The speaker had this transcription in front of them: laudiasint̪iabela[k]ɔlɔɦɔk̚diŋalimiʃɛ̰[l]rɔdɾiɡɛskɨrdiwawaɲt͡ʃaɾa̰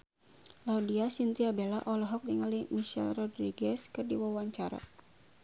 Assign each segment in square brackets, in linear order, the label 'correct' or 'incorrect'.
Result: incorrect: ʔ, correct

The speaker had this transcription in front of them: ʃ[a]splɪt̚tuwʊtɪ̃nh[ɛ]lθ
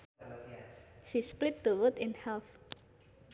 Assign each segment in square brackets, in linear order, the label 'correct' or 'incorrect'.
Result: incorrect: i, correct

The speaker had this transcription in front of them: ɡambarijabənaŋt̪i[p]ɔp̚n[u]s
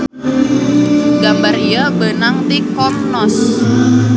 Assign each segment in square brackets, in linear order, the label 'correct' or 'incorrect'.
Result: incorrect: k, incorrect: ɔ

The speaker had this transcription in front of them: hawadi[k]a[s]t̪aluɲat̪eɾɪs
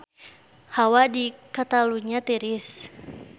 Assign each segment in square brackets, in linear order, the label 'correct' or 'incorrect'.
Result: correct, incorrect: none

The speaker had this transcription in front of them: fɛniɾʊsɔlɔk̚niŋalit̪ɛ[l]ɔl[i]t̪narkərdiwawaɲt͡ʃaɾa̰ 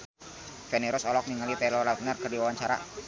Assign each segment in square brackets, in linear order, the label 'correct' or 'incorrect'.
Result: correct, incorrect: a

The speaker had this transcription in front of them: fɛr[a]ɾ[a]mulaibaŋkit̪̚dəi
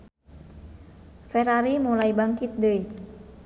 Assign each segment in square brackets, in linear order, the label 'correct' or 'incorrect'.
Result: correct, incorrect: i

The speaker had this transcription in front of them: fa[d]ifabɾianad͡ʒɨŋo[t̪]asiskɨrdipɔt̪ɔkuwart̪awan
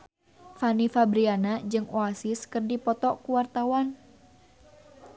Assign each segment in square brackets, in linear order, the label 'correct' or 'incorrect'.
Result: incorrect: n, incorrect: none

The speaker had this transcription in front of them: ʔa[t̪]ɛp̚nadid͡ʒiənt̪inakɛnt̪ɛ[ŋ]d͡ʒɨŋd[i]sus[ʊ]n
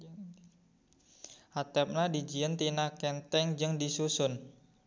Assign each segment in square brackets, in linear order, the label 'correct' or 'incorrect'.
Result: correct, correct, correct, correct

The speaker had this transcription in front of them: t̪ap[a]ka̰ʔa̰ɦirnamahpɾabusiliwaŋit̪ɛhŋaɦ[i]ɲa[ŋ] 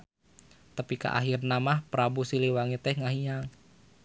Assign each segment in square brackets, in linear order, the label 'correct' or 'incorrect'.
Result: incorrect: i, correct, correct

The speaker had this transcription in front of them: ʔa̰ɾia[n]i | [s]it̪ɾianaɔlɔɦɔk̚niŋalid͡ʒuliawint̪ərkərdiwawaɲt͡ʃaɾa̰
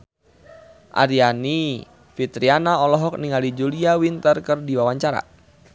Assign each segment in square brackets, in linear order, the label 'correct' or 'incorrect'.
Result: correct, incorrect: f

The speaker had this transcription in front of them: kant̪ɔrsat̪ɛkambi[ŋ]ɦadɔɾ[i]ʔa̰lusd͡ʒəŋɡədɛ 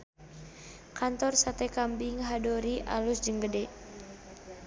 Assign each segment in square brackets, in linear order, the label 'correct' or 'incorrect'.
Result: correct, correct

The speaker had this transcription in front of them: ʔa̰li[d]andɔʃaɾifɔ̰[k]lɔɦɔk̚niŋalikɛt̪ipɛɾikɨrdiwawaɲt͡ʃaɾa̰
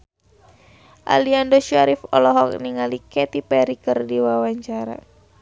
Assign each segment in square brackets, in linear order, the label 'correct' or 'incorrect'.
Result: incorrect: none, incorrect: none

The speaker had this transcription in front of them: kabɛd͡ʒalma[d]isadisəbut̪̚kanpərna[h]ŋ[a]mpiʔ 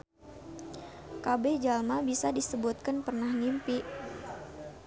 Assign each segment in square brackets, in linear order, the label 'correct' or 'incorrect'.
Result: incorrect: b, correct, incorrect: i

